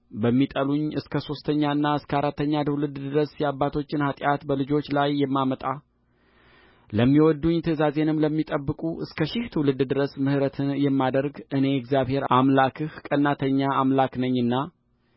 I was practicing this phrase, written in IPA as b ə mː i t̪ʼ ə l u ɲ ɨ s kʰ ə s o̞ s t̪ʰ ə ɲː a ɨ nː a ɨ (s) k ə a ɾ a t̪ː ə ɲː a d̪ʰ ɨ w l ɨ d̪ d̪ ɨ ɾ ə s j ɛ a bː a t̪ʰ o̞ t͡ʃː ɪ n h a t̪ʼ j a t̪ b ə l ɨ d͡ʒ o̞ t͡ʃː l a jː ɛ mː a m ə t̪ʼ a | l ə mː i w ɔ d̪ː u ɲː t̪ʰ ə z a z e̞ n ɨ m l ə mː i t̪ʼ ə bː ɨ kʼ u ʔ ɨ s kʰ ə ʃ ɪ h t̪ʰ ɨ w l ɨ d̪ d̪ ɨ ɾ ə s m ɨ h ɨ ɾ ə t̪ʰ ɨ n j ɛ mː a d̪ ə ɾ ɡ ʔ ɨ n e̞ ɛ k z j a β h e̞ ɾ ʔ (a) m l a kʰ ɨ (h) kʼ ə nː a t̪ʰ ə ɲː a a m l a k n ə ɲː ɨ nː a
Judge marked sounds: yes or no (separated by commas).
yes, yes, yes